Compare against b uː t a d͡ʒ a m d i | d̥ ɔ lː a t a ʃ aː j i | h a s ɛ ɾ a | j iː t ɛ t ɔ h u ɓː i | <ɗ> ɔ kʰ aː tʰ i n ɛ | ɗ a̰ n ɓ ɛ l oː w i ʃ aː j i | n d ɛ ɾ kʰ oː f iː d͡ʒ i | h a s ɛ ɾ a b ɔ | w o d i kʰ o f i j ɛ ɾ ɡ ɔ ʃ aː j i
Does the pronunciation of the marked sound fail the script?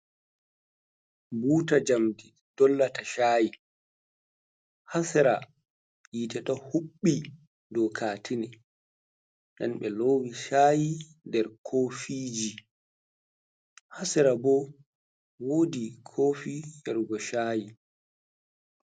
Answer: yes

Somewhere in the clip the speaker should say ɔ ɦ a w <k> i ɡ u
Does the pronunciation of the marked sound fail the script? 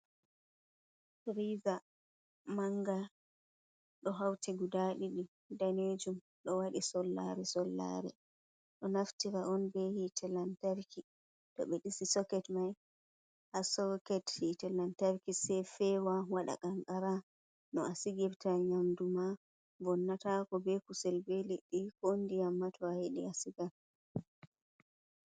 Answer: yes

